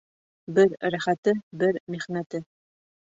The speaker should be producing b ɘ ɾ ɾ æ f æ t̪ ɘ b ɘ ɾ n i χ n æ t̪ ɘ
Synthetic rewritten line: b ɘ ɾ ɾ æ χ æ t̪ ɘ b ɘ ɾ m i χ n æ t̪ ɘ